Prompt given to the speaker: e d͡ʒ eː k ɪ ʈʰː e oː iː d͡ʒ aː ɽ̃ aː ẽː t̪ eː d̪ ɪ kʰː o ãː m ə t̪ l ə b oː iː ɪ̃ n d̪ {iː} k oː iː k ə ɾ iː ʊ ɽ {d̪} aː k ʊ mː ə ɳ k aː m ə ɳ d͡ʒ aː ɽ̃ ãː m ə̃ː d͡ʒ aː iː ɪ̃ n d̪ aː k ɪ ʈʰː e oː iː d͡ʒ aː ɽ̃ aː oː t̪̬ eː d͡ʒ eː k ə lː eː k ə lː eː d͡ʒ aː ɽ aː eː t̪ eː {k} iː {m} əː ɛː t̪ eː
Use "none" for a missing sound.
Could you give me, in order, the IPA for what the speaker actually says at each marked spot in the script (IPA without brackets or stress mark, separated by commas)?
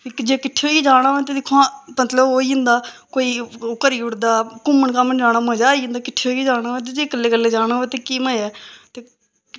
aː, d̪, k, m